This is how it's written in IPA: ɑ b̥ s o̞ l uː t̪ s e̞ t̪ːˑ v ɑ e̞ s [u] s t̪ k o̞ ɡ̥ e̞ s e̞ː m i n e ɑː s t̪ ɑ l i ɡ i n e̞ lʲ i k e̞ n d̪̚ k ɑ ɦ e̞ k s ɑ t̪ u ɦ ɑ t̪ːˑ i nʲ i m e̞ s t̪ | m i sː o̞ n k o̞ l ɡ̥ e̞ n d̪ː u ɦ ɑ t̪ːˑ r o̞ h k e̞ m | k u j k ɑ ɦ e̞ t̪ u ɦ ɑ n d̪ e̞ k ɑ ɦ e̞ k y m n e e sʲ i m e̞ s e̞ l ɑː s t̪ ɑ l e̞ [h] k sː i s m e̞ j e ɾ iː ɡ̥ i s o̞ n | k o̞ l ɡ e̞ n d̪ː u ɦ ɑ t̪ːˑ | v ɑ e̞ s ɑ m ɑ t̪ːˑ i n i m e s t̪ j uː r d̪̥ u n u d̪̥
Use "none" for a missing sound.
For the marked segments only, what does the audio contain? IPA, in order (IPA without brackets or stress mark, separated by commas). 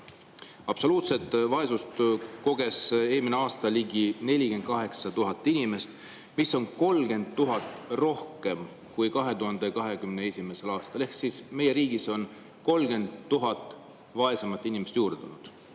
u, h